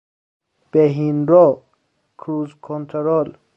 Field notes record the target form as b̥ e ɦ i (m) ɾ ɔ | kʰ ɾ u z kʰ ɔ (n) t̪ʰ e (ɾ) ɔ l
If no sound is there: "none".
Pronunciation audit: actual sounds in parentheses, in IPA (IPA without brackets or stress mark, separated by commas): n, n, ɾ